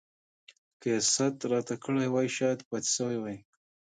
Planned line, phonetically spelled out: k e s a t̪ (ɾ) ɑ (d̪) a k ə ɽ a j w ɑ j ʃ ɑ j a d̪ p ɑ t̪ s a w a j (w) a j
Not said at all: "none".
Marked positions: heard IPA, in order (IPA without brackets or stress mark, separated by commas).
ɾ, t̪, w